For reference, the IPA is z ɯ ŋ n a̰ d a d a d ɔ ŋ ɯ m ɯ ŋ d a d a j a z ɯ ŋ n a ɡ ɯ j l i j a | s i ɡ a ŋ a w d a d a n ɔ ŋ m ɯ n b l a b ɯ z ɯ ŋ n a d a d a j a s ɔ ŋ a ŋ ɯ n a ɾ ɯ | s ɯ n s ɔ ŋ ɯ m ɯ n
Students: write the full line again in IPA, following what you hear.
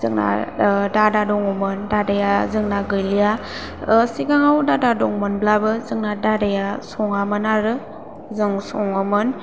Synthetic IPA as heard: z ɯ ŋ n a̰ d a d a d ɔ ŋ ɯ m ɯ n d a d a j a z ɯ ŋ n a ɡ ɯ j l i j a | s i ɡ a ŋ a w d a d a d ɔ ŋ m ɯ n b l a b ɯ z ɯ ŋ n a d a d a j a s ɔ ŋ a m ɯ n a ɾ ɯ | z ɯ ŋ s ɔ ŋ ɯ m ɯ n